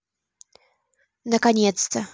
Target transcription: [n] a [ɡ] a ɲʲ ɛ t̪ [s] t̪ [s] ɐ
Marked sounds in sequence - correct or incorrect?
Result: correct, incorrect: k, correct, correct

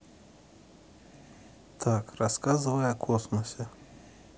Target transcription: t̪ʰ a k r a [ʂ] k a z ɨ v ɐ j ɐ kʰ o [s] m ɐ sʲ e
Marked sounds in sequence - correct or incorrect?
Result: incorrect: s, correct

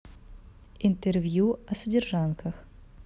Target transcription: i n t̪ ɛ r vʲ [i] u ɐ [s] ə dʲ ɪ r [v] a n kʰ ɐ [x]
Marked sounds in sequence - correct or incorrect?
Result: incorrect: j, correct, incorrect: ʐ, correct

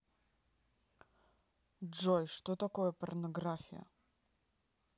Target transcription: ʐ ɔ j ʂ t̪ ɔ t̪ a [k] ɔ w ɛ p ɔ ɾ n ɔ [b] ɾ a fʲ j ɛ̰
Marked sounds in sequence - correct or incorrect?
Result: correct, incorrect: ɡ

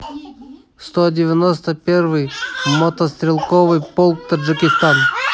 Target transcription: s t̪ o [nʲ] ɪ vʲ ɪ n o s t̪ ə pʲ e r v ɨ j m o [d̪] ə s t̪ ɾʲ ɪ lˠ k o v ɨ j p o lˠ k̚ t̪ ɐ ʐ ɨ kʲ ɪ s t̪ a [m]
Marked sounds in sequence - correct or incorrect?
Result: incorrect: dʲ, incorrect: t̪, incorrect: n

